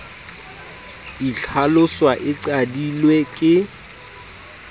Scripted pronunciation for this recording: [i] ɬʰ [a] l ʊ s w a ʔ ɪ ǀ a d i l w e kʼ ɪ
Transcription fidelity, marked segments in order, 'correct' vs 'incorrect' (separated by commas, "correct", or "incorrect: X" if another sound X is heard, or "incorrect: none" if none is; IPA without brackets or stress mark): correct, correct